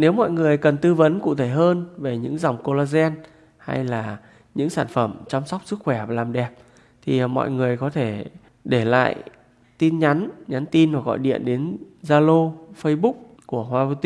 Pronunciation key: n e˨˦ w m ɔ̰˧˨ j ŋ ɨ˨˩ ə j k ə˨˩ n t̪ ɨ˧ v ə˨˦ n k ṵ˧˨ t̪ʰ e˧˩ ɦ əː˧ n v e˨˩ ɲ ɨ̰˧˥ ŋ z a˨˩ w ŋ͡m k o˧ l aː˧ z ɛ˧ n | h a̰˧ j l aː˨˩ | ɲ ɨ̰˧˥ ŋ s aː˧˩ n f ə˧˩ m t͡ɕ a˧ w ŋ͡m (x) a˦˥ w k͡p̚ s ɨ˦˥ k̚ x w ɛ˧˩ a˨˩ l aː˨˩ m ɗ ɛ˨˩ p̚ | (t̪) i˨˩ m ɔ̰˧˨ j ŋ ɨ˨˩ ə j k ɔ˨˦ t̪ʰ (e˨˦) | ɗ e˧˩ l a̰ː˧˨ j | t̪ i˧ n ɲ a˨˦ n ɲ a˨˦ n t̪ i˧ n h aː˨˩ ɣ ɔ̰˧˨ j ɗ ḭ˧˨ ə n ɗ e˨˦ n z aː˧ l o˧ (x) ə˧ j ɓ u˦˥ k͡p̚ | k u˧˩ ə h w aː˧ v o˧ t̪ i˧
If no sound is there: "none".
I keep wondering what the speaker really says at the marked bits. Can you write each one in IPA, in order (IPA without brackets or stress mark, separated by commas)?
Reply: s, t̪ʰ, e˧˩, f